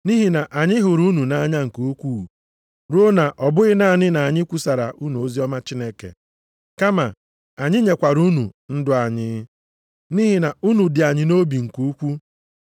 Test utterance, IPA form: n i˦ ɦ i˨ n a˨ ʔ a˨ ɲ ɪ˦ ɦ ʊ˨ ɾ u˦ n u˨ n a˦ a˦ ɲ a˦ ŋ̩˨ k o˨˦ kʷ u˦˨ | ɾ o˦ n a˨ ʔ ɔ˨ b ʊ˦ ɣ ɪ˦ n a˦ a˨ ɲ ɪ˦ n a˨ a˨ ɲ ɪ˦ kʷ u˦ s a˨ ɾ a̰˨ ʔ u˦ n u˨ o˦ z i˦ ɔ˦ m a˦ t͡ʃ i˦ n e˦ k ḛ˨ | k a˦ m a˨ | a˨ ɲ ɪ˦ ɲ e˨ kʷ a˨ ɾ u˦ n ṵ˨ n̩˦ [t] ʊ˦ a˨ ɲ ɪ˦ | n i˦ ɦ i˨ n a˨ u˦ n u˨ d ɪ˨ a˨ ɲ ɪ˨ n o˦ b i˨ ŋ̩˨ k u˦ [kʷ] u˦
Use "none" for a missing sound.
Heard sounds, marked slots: d, kʷ

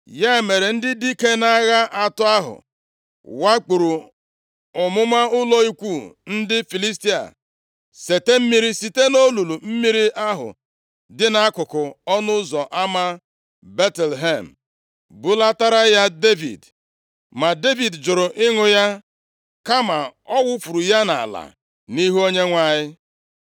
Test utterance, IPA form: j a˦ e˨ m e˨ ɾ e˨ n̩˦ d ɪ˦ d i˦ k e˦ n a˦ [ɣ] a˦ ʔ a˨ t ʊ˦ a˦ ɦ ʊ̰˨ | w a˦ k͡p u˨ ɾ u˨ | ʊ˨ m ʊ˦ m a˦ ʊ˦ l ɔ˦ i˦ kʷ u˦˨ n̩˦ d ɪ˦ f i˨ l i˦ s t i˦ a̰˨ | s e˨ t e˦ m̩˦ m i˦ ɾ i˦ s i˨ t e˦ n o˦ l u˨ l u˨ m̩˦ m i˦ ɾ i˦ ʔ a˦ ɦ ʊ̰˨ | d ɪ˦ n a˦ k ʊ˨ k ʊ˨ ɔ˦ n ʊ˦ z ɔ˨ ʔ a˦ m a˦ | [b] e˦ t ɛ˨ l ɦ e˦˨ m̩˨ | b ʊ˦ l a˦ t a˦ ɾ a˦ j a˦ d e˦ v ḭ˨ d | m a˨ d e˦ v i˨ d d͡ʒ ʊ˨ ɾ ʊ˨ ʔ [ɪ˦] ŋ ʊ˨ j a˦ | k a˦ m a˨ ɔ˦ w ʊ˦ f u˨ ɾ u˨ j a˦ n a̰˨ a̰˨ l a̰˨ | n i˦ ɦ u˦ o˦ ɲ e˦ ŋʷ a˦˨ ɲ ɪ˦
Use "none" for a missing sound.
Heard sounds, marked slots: ɣ, b, ɪ˦

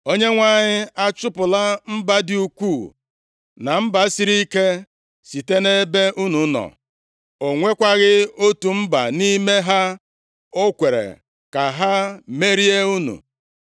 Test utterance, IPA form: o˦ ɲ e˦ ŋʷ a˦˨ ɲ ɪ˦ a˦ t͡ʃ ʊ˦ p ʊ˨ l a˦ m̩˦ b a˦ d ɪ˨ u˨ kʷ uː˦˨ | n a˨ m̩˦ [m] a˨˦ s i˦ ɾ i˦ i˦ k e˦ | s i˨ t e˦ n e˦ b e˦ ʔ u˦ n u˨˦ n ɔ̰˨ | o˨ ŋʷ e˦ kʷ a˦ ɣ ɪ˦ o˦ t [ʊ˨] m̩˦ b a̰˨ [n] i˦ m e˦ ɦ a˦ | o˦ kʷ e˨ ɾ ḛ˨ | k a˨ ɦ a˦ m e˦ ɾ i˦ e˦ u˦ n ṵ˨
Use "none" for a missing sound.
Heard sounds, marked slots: b, u˨, n

